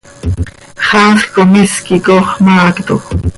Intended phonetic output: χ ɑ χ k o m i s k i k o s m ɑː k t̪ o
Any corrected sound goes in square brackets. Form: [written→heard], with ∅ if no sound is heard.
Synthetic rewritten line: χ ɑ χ k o m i s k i k o [s→χ] m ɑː k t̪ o